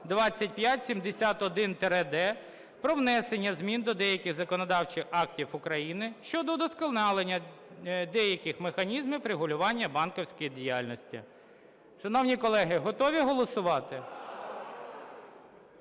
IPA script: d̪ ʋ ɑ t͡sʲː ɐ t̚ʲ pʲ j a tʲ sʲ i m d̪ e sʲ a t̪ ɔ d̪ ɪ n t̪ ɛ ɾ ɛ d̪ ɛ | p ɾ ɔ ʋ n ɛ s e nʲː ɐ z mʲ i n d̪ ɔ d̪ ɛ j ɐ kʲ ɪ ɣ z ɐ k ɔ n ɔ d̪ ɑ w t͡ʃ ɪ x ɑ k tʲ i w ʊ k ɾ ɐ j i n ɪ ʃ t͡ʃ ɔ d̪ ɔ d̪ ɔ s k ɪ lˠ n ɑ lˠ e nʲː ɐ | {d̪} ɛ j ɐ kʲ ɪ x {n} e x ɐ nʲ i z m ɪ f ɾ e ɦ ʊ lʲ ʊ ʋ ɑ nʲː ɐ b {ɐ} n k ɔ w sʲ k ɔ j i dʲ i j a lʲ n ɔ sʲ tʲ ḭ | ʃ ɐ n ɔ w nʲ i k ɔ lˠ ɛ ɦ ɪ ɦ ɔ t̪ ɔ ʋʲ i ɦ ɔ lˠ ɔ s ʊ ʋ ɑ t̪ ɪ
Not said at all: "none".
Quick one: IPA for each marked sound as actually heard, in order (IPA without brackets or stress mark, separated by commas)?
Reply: d̪, m, ɑ